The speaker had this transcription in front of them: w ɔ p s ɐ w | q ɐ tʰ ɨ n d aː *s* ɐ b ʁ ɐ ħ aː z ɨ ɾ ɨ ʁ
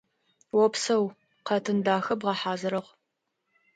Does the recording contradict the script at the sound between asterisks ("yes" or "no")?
yes